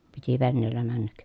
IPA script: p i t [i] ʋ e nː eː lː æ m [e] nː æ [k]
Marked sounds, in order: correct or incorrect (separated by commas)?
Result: correct, incorrect, correct